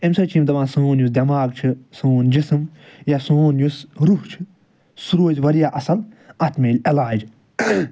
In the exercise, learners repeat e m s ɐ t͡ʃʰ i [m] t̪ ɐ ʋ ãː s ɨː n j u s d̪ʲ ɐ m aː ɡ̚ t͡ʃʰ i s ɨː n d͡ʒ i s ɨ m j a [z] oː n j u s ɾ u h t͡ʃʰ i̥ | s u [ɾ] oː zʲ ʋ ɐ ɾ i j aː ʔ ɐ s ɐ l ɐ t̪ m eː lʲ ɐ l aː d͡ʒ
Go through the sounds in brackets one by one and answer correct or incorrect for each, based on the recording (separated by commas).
correct, incorrect, correct